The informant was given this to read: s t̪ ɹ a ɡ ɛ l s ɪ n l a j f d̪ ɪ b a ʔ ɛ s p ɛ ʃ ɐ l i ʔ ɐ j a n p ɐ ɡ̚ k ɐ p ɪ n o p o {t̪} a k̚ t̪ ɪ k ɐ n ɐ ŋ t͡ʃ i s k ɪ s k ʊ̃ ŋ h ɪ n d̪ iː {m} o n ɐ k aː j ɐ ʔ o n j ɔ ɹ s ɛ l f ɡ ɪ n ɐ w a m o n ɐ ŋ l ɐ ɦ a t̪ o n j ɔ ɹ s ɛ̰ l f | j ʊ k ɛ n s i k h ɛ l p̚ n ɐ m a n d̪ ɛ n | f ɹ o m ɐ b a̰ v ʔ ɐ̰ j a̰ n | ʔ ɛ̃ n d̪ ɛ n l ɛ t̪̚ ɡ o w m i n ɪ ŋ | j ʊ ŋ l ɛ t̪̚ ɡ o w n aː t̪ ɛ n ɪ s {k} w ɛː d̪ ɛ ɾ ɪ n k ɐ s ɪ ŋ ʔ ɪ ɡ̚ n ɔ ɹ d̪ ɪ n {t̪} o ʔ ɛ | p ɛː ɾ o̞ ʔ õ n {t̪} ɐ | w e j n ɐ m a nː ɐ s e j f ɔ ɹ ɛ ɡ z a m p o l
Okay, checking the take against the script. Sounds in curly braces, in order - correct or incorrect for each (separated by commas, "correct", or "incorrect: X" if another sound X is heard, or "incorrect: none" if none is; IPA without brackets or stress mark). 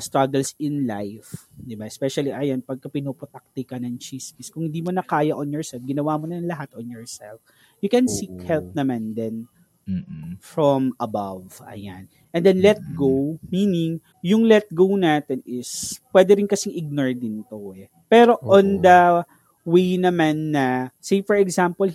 correct, correct, incorrect: p, correct, incorrect: d̪